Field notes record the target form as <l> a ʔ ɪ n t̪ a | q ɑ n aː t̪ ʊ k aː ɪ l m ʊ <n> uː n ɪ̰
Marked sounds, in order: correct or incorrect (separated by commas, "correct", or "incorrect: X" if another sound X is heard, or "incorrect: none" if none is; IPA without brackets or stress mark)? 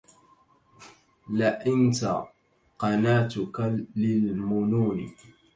correct, correct